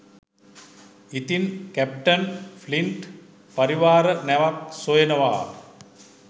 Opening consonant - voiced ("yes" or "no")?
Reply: no